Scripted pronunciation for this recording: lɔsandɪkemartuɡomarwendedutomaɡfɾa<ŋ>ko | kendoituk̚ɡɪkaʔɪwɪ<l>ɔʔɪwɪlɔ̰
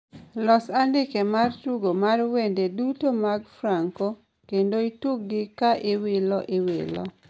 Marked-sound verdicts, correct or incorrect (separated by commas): correct, correct